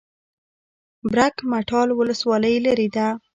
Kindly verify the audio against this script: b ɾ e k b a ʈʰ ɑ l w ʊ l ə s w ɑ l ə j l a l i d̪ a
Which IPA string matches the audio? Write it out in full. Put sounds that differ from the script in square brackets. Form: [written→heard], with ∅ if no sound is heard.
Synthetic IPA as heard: b ɾ [e→a] k [b→m] a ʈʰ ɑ l w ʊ l ə s w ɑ l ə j l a [l→ɾ] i d̪ a